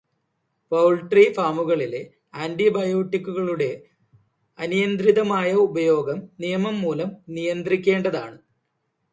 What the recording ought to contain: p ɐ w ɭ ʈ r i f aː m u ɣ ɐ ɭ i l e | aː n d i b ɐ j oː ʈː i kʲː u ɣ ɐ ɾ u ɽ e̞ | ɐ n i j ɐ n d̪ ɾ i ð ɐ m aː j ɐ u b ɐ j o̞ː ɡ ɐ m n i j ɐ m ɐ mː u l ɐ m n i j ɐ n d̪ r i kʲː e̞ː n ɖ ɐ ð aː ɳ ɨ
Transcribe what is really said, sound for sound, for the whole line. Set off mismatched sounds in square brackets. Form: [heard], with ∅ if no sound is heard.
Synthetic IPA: p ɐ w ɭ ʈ r i f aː m u ɣ ɐ ɭ i l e | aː n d i b ɐ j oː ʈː i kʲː u ɣ ɐ [ɭ] u ɽ e̞ | ɐ n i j ɐ n d̪ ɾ i ð ɐ m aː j ɐ u b ɐ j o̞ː ɡ ɐ m n i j ɐ m ɐ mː [uː] l ɐ m n i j ɐ n d̪ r i kʲː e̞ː [ɳ] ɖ ɐ ð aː ɳ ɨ